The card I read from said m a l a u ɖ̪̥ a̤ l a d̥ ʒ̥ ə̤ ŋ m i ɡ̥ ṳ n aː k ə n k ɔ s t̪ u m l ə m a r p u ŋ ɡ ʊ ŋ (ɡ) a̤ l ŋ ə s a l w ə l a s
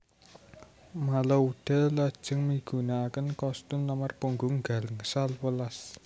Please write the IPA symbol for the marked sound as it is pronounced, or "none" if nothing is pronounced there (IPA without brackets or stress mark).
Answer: ɡ